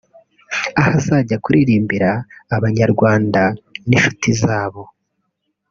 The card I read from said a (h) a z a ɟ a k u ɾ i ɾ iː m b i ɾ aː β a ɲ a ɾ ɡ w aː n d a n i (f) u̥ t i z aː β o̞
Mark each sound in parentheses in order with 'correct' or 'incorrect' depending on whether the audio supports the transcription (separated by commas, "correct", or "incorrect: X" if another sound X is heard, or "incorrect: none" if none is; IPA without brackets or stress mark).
correct, incorrect: ʃ